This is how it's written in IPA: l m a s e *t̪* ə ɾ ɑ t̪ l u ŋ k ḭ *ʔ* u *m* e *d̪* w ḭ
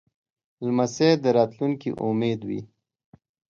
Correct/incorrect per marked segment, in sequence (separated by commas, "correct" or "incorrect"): incorrect, correct, correct, correct